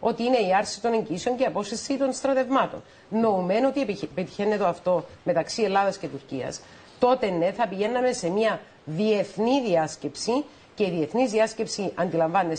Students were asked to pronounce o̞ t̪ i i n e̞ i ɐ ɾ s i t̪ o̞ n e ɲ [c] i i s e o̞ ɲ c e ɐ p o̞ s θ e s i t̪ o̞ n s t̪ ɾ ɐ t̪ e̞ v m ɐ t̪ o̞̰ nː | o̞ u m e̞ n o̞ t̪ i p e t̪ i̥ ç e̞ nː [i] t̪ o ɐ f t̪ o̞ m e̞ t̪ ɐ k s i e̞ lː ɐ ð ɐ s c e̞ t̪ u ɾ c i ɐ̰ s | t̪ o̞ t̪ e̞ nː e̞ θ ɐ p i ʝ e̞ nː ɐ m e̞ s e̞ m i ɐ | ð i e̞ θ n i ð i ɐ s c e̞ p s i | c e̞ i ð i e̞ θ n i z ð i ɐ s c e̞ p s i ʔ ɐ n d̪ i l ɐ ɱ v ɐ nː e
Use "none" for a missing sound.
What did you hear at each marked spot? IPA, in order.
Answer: ɟ, e

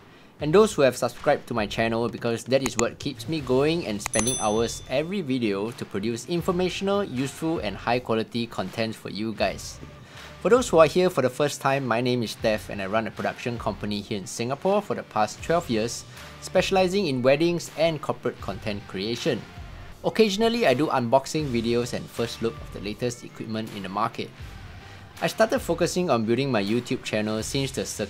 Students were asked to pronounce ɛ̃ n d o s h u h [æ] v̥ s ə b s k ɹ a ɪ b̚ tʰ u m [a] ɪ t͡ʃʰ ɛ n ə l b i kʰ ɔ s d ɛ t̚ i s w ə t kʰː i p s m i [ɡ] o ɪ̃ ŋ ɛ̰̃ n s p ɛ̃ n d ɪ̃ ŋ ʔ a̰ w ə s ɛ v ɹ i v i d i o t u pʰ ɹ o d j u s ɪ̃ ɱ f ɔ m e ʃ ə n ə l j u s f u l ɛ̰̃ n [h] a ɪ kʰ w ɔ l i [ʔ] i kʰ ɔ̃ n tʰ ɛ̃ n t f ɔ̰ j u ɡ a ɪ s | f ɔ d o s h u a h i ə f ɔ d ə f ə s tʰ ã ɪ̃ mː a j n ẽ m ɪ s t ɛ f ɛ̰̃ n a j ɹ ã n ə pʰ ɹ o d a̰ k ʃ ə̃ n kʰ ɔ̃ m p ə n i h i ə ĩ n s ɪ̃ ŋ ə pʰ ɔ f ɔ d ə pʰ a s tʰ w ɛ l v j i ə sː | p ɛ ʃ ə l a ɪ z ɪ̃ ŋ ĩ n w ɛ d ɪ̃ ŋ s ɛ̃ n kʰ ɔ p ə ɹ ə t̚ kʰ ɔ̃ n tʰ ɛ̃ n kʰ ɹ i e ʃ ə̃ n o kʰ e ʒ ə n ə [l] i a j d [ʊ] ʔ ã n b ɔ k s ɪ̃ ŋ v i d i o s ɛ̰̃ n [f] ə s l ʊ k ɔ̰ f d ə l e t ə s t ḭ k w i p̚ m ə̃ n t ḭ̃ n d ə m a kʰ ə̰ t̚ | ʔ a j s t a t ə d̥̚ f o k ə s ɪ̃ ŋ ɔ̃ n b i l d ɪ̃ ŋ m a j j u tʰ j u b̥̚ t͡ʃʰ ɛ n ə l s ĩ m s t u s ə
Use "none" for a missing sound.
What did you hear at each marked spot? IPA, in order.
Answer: ɛ, a, ɡ, h, t, l, u, f

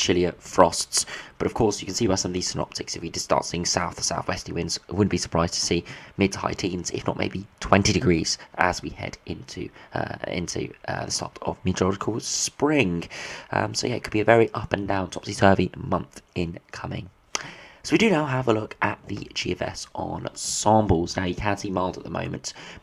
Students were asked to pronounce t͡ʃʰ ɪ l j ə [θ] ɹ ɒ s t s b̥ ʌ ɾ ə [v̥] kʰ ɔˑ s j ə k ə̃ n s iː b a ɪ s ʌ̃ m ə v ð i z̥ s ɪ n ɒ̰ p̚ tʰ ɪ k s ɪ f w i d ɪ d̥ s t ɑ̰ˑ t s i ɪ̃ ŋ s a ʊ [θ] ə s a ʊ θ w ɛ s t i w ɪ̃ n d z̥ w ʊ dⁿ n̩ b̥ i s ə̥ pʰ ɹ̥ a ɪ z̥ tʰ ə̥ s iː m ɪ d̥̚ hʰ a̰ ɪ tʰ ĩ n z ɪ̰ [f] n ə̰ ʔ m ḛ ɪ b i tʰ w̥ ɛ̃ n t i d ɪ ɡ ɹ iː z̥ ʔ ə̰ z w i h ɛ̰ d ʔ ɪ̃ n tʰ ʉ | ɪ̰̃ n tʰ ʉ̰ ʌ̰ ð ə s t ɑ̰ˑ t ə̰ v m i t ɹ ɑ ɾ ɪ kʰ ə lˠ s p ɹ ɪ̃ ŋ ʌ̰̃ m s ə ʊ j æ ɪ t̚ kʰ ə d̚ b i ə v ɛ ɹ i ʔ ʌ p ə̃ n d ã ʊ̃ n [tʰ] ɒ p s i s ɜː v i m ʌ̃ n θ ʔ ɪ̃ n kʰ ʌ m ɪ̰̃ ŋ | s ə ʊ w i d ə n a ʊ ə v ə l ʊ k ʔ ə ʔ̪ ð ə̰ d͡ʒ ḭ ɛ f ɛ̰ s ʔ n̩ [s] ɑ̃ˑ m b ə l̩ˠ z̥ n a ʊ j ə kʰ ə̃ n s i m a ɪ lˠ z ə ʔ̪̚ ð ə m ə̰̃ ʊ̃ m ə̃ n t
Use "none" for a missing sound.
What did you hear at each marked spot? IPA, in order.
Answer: f, v̥, θ, f, tʰ, s

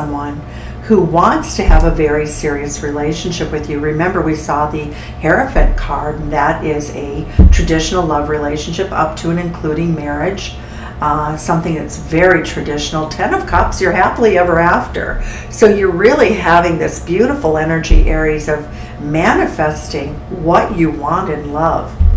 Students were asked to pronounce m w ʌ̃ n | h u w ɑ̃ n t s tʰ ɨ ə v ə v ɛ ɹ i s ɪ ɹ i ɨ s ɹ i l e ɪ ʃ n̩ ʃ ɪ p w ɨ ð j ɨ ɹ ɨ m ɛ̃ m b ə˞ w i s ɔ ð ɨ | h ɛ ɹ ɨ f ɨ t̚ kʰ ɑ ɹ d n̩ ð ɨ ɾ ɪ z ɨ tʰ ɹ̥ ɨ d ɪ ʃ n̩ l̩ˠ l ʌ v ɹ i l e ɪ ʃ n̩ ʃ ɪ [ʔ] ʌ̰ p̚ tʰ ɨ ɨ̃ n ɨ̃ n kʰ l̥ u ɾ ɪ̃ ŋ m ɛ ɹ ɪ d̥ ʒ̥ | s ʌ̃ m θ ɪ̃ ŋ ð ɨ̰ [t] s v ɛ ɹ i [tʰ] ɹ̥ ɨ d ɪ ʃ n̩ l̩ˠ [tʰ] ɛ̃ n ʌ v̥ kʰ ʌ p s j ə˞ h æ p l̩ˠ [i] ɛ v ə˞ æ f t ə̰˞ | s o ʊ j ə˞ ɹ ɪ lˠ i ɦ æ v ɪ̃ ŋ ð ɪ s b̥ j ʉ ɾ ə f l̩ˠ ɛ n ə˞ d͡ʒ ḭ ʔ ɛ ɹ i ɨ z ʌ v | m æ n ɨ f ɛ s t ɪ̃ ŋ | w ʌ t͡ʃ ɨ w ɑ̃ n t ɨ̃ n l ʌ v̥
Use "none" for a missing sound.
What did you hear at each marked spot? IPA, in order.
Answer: p, t, tʰ, tʰ, i

